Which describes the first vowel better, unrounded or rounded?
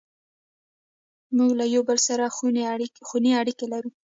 rounded